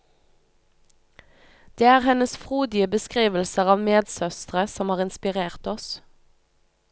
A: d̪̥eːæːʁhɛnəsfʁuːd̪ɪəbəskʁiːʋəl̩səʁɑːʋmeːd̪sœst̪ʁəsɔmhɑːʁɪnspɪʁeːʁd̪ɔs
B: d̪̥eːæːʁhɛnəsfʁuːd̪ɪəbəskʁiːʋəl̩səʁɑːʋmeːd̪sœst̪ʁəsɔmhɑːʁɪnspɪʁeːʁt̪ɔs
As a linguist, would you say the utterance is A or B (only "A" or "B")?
B